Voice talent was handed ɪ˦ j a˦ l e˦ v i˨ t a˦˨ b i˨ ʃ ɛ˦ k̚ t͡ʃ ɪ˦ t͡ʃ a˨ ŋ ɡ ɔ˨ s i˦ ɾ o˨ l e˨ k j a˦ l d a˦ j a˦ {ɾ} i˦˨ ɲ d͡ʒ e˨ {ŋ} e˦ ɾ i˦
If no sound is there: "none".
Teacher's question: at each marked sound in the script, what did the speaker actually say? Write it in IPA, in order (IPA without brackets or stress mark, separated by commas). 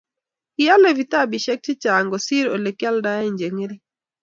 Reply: none, ŋ